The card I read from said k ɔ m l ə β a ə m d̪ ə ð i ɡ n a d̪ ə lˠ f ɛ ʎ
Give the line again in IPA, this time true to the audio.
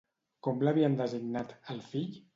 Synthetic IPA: k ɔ m l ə β i ə n d̪ ə z i ɡ n a t̪ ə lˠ f i ʎ